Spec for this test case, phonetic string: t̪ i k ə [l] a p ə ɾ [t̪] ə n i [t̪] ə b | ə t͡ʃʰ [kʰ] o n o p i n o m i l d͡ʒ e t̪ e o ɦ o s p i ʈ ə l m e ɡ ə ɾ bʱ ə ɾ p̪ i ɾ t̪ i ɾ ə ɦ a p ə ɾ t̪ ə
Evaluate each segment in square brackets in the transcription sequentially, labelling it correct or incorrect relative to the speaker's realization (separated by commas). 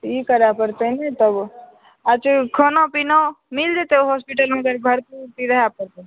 incorrect, correct, correct, correct